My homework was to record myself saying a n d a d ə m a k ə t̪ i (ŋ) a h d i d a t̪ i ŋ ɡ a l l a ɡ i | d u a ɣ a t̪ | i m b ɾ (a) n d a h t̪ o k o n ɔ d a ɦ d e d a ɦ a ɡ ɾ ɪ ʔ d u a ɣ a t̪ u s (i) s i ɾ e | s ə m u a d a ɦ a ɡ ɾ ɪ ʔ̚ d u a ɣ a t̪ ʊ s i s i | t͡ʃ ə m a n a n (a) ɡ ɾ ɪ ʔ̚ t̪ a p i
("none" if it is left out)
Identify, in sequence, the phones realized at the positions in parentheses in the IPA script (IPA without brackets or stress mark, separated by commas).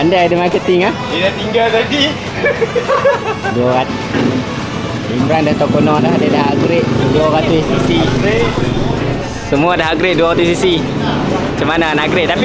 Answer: ŋ, a, i, a